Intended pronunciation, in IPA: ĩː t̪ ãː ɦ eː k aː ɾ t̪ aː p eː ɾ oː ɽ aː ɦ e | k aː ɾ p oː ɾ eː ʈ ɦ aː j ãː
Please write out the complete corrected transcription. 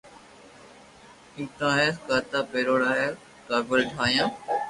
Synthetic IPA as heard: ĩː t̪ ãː ɦ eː k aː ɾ t̪ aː p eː ɾ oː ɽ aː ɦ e | k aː ɾ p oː ɾ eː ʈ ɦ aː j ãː